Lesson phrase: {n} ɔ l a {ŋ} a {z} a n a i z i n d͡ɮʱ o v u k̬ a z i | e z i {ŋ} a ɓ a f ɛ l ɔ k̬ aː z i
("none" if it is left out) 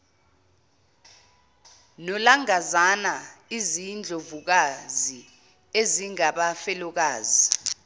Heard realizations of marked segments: n, ŋ, z, ŋ

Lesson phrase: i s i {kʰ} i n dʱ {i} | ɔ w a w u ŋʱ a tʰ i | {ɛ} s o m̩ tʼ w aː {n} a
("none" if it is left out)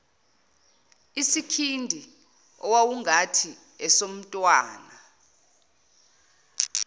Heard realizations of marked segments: kʰ, i, ɛ, n

